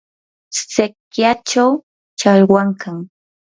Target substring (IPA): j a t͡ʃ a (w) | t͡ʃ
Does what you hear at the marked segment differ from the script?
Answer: no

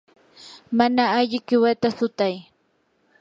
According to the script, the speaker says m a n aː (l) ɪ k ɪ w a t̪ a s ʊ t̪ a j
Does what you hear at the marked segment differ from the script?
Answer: yes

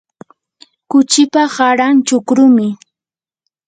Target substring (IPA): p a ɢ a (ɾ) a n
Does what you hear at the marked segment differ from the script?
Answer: no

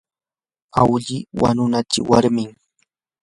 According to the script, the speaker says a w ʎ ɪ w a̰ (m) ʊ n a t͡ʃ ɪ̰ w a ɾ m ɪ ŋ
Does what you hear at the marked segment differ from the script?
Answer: yes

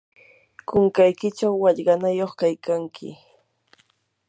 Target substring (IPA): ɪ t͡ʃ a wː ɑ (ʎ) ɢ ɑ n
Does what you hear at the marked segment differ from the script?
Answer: no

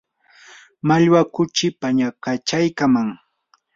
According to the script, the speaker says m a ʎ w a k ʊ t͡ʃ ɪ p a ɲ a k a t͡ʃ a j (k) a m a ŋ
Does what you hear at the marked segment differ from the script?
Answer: no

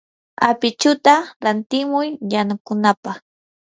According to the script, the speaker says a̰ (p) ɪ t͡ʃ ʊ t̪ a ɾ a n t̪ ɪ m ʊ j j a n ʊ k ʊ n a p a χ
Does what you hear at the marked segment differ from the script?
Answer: no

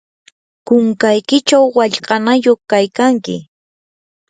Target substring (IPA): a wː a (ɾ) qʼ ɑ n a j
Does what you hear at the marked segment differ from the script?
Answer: yes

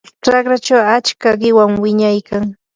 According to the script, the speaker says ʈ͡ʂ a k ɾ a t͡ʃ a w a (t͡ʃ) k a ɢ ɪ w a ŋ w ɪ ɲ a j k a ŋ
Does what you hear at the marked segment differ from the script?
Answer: no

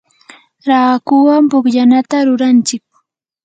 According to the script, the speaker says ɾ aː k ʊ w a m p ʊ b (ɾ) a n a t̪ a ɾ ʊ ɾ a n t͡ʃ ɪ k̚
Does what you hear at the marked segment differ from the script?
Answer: yes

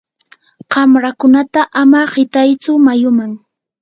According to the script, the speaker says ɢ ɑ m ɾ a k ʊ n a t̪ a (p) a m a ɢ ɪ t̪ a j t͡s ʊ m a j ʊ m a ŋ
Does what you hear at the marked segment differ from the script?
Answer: yes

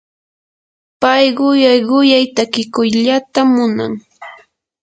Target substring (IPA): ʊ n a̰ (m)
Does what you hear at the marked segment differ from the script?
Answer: yes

